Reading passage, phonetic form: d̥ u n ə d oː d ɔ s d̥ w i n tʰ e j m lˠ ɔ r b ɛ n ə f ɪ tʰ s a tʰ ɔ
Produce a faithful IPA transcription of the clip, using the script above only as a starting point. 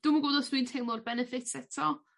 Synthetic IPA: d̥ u m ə ɡ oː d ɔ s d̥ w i n tʰ e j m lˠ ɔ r b ɛ n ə f ɪ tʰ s ɛ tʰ ɔ